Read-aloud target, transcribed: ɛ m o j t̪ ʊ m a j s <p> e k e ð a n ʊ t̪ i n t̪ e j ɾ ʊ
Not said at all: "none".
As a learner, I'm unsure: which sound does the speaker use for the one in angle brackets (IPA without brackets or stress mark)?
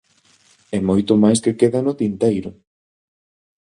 k